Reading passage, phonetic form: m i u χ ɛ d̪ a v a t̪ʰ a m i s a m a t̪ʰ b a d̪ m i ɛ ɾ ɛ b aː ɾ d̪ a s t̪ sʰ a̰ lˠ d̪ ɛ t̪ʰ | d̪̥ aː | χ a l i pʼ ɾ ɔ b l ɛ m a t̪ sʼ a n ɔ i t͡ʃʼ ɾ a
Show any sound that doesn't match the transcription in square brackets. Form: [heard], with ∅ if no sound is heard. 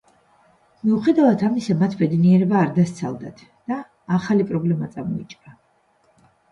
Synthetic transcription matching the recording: m i u χ ɛ d̪ a v a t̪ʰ a m i s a m a t̪ʰ b [ɛ] d̪ [n] i ɛ ɾ ɛ b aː ɾ d̪ a s t̪ sʰ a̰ lˠ d̪ [a] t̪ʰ | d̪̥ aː | χ a l i pʼ ɾ ɔ b l ɛ m a t̪ sʼ a [m] ɔ i t͡ʃʼ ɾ a